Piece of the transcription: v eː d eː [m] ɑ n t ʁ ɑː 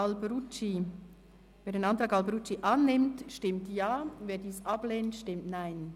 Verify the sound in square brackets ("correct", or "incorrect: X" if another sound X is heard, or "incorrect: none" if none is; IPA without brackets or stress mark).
incorrect: n